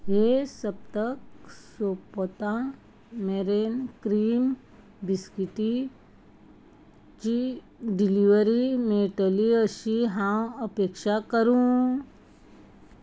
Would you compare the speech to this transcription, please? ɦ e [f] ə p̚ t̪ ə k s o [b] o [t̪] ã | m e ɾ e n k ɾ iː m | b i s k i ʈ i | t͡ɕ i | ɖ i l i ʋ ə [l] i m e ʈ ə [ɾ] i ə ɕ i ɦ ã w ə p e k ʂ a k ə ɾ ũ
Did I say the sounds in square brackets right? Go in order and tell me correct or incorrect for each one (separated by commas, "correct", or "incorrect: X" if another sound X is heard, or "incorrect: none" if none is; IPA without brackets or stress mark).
incorrect: s, incorrect: p, correct, incorrect: ɾ, incorrect: l